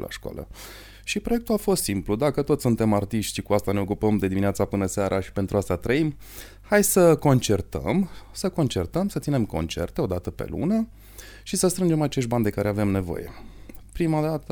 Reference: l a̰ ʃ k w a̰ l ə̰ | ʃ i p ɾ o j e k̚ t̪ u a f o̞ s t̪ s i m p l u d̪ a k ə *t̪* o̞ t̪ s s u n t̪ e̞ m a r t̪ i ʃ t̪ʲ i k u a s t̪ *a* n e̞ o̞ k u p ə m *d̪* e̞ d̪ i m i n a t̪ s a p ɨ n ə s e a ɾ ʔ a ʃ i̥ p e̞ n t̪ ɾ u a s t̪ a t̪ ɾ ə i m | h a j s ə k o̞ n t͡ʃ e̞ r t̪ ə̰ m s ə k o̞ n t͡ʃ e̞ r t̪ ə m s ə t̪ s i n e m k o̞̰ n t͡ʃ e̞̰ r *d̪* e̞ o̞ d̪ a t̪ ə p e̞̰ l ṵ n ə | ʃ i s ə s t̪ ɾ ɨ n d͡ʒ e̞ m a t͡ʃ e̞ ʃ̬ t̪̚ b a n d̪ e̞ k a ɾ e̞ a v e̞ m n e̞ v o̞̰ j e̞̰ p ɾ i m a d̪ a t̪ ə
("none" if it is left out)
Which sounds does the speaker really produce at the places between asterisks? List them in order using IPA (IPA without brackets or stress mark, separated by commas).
t̪, a, d̪, t̪